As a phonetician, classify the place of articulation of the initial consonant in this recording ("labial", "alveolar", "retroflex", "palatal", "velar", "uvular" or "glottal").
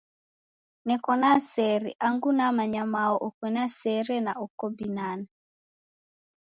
alveolar